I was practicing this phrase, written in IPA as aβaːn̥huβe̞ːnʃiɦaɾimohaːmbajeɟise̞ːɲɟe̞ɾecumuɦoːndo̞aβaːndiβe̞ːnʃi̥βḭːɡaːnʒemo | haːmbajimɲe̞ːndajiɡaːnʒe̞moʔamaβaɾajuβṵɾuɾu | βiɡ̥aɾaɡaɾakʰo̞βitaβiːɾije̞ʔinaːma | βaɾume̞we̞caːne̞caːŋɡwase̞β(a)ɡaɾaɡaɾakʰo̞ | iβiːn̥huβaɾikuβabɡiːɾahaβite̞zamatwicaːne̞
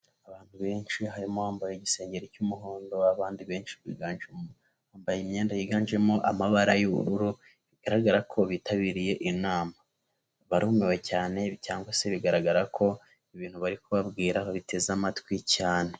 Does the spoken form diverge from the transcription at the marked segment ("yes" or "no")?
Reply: yes